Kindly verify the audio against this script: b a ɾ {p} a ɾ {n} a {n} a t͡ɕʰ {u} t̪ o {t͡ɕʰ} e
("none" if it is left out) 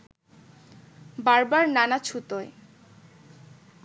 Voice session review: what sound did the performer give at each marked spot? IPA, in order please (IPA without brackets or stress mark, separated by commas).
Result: b, n, n, u, none